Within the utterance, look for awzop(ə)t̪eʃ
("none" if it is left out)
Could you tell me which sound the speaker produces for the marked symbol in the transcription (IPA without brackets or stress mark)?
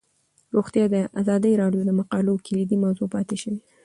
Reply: ɑ